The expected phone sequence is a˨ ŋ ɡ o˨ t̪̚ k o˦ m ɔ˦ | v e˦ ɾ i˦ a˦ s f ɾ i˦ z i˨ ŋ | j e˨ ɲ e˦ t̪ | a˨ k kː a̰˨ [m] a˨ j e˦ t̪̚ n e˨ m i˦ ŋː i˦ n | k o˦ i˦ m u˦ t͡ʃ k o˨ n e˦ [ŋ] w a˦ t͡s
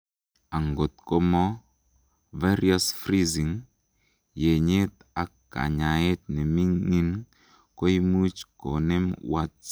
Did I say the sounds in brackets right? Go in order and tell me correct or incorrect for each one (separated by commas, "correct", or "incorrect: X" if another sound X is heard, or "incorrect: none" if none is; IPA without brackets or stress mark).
incorrect: ɲ, incorrect: m